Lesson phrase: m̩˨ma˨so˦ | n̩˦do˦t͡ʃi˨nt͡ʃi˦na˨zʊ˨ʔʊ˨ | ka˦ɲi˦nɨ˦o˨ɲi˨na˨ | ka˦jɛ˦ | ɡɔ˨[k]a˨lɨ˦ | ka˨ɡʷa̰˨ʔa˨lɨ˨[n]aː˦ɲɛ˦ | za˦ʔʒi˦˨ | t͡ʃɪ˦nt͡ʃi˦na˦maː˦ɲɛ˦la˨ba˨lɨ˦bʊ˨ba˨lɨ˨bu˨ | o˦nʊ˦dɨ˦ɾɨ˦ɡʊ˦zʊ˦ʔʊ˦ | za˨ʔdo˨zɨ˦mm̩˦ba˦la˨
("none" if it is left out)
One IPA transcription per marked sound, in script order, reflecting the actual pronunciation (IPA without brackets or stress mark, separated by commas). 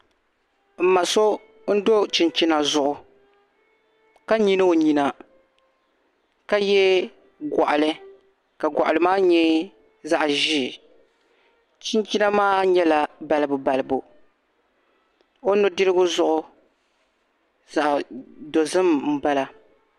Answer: ʔ, m